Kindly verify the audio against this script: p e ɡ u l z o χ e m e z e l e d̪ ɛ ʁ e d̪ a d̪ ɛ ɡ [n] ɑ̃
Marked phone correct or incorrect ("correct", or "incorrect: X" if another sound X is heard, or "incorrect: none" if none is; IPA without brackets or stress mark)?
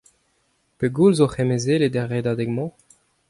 incorrect: m